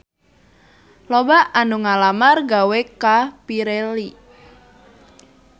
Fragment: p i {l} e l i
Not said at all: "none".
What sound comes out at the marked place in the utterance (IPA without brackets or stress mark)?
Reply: ɾ